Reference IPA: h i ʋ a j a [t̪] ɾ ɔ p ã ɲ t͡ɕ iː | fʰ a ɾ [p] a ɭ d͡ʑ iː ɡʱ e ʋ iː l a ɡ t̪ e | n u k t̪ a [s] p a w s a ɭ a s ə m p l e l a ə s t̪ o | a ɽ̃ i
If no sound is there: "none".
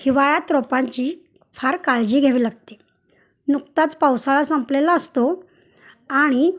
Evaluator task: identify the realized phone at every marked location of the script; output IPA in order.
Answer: t̪, k, t͡s

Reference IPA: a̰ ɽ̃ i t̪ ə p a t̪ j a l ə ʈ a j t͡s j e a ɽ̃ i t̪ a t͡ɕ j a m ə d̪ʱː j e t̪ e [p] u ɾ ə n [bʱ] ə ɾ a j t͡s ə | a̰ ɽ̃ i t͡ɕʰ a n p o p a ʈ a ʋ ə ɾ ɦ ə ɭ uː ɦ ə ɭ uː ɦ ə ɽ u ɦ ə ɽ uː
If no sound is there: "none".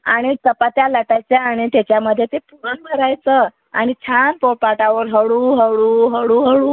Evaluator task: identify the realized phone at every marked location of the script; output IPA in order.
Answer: p, bʱ

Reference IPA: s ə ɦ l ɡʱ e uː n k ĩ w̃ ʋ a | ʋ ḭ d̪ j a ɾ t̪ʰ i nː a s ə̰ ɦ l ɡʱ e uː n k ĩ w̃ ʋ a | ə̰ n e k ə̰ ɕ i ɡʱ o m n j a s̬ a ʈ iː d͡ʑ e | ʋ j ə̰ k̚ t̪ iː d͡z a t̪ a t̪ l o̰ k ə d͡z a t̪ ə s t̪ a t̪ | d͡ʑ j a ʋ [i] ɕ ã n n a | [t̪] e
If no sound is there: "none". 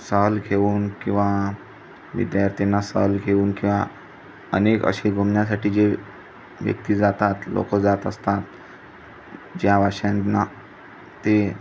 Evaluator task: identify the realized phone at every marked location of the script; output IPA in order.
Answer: a, t̪

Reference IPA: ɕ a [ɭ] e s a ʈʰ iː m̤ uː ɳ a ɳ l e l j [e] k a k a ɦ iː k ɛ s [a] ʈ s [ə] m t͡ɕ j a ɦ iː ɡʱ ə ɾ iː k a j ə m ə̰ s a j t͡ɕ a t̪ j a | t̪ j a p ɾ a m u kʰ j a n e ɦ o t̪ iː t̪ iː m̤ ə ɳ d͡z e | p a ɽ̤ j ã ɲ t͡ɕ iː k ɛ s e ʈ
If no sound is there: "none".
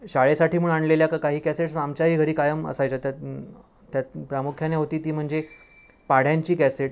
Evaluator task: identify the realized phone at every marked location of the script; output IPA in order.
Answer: ɭ, a, e, a

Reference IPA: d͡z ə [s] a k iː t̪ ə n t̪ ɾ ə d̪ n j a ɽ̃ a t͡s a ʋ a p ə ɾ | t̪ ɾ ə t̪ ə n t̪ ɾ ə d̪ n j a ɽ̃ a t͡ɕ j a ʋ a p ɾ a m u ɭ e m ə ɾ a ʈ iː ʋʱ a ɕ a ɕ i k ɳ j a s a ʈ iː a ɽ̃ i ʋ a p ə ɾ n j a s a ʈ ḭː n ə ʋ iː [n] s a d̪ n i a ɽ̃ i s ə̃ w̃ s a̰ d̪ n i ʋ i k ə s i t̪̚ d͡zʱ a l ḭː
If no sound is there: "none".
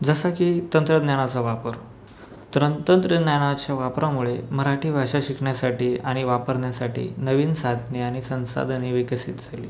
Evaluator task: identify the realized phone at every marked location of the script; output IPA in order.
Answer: s, n

